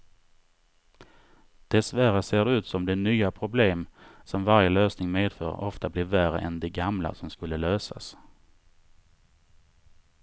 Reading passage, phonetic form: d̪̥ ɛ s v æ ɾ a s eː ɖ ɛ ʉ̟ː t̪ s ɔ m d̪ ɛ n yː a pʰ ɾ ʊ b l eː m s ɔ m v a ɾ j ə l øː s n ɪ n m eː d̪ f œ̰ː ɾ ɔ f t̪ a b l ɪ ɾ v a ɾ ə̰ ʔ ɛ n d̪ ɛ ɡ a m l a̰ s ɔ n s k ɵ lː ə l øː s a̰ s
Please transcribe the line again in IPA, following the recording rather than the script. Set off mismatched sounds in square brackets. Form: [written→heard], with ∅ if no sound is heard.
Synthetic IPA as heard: d̪̥ ɛ s v æ ɾ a s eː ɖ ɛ ʉ̟ː t̪ s ɔ m d̪ ɛ n yː a pʰ ɾ ʊ b l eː m s ɔ m v a ɾ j ə l øː s n ɪ [n→ŋ] m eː d̪ f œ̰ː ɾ ɔ f t̪ a b l ɪ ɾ v [a→æ] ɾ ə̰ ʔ ɛ n d̪ ɛ ɡ a m l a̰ s ɔ [n→m] s k ɵ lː ə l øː s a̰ s